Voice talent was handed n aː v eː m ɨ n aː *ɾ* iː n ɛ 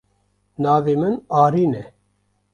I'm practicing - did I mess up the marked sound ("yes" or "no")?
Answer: no